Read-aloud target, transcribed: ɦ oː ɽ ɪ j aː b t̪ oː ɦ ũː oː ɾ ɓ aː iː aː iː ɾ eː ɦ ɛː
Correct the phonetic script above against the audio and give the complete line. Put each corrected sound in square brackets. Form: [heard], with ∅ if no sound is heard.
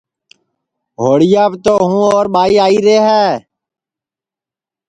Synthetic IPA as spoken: ɦ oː ɽ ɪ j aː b t̪ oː ɦ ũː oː ɾ ɓ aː iː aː iː ɾ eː ɦ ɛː